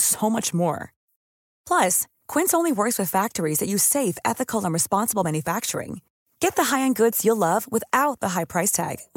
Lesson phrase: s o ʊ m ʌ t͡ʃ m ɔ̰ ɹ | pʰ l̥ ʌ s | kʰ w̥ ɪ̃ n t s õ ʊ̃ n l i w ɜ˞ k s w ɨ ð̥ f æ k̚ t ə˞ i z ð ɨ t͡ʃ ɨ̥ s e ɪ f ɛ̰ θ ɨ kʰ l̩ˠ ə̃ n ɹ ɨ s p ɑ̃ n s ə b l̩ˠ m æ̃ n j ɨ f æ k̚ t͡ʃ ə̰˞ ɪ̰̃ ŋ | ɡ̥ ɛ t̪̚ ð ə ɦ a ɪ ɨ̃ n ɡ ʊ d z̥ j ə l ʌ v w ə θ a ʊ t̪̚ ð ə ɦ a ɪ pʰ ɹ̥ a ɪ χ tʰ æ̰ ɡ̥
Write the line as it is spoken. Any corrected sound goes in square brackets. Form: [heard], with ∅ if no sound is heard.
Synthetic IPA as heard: s o ʊ m ʌ t͡ʃ m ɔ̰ ɹ | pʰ l̥ ʌ s | kʰ w̥ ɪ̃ n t s õ ʊ̃ n l i w ɜ˞ k s w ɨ ð̥ f æ k̚ t ə˞ i z ð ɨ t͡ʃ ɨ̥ s e ɪ f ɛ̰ θ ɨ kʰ l̩ˠ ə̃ n ɹ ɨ s p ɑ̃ n s ə b l̩ˠ m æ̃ n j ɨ f æ k̚ t͡ʃ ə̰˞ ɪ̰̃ ŋ | ɡ̥ ɛ t̪̚ ð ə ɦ a ɪ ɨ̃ n ɡ ʊ d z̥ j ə l ʌ v w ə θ a ʊ t̪̚ ð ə ɦ a ɪ pʰ ɹ̥ a ɪ [s] tʰ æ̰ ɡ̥